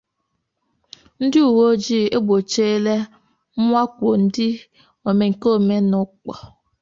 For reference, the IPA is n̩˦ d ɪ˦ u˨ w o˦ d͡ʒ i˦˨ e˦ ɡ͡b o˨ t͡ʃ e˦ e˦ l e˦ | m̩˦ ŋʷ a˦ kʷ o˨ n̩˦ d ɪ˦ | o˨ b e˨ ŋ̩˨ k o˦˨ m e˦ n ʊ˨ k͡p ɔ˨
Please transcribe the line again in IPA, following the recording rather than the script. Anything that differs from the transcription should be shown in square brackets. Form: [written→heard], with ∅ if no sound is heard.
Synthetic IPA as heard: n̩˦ d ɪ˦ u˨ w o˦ d͡ʒ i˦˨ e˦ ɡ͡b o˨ t͡ʃ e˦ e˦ l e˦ | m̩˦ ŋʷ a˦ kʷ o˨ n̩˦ d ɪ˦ | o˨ [b→m] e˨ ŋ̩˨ k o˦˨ m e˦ n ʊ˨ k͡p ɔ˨